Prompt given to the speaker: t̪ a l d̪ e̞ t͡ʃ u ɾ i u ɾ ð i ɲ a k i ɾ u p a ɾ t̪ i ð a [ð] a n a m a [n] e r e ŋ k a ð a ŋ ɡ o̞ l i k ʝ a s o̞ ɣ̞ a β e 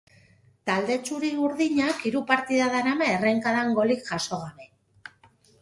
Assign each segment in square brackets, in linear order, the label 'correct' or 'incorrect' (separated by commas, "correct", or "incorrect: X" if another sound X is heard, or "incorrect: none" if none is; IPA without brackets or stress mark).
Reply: correct, incorrect: none